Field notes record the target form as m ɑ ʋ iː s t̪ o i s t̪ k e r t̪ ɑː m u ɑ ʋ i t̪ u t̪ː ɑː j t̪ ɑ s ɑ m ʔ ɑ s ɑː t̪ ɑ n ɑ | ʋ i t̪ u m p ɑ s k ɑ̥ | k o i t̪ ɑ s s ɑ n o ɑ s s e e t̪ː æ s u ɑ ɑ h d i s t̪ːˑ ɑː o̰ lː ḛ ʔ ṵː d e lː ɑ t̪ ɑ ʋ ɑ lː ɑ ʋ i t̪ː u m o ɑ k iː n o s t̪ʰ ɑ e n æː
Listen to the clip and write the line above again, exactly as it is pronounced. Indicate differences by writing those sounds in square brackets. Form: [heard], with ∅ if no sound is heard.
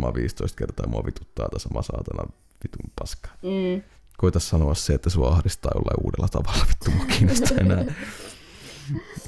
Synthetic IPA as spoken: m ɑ ʋ iː s t̪ o i s t̪ k e r t̪ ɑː m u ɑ ʋ i t̪ u t̪ː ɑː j t̪ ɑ s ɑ m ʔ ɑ s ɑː t̪ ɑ n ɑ | ʋ i t̪ u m p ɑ s k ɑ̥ | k o i t̪ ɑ s s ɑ n o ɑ s s e e t̪ː æ s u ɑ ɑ h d i s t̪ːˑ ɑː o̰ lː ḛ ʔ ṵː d e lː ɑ t̪ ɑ ʋ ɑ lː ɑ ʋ i t̪ː u m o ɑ k iː n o s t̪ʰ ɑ e n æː